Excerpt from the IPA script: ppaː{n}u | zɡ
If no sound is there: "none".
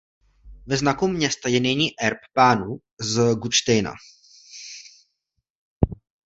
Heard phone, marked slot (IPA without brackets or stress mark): n